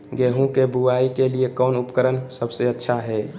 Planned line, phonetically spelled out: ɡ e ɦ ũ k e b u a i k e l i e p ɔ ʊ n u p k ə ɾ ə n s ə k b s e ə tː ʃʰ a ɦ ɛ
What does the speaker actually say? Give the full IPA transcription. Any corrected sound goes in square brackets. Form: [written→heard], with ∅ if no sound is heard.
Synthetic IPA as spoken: ɡ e ɦ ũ k e b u a i k e l i e [p→k] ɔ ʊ n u p k ə ɾ ə n s ə [k→∅] b s e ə tː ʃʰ a ɦ ɛ